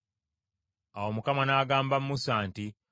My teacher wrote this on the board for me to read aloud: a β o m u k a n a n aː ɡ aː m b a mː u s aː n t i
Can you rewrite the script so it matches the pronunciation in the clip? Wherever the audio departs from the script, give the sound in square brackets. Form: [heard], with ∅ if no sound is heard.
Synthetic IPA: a [w] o m u k a [m] a n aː ɡ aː m b a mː u s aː n t i